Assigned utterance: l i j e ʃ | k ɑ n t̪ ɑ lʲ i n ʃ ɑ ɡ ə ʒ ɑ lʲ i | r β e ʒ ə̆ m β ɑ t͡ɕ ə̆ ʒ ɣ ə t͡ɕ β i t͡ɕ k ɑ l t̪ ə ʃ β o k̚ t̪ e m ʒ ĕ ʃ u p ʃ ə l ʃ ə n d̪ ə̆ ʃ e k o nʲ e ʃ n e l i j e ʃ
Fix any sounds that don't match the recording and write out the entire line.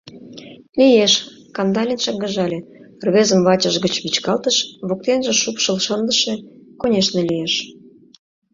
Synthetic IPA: l i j e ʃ | k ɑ n d̪ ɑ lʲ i n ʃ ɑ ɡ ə ʒ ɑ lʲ e | r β e z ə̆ m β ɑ t͡ɕ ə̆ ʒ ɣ ə t͡ɕ β i t͡ɕ k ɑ l t̪ ə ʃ β o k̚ t̪ e n ʒ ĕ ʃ u p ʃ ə l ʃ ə n d̪ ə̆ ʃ e k o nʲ e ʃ n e l i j e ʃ